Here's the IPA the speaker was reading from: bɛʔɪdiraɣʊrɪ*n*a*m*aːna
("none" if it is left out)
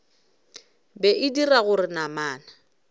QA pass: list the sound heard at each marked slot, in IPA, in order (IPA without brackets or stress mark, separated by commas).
n, m